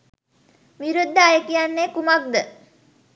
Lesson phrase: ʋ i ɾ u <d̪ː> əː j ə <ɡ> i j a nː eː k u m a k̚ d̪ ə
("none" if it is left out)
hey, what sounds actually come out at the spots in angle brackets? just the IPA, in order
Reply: d̪ː, k

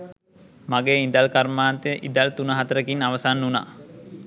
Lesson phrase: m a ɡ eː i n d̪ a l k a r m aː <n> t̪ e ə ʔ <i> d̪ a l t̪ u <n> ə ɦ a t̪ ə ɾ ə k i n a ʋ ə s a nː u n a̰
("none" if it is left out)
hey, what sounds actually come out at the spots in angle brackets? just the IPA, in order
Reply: n, i, n

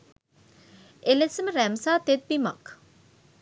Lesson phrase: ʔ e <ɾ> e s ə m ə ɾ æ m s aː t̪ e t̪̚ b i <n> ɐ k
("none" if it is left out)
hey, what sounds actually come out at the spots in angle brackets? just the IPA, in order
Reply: l, m

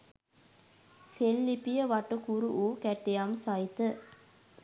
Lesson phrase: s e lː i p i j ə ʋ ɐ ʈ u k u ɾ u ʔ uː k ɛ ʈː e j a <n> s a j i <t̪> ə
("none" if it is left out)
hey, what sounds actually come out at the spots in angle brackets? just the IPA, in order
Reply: m, t̪

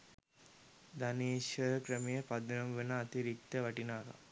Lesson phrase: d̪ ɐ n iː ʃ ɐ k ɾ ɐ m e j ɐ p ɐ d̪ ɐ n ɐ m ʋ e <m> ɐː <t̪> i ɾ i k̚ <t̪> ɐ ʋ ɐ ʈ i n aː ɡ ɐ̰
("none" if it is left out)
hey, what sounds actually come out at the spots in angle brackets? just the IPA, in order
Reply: n, t̪, t̪

